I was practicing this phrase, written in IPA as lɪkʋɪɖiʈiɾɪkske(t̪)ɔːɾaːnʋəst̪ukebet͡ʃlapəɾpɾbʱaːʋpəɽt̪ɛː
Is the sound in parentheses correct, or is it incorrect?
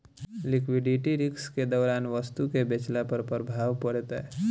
incorrect